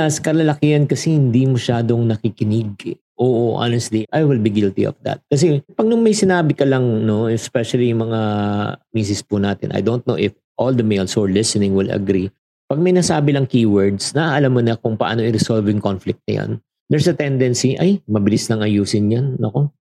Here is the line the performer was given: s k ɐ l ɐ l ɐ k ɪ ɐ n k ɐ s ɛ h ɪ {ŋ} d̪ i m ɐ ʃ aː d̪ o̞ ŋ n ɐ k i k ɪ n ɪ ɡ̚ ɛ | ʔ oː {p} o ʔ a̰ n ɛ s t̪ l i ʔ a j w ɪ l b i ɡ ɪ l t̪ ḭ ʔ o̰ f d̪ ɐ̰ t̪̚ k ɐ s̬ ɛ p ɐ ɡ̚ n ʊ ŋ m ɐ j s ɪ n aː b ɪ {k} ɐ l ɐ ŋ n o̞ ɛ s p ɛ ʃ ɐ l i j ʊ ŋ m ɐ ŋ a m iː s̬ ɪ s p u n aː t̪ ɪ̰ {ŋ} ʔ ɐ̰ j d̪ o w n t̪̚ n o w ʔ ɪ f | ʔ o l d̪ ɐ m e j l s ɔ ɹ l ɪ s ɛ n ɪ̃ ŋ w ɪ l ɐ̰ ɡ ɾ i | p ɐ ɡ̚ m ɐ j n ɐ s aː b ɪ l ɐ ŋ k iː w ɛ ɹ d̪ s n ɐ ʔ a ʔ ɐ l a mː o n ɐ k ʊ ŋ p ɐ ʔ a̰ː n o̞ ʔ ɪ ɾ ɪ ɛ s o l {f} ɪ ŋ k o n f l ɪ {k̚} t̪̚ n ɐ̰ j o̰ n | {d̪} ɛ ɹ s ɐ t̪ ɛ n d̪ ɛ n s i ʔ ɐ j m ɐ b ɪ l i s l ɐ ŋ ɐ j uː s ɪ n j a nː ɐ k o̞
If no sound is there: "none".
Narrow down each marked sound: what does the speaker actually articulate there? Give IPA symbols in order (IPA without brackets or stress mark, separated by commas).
n, ʔ, k, n, v, k̚, d̪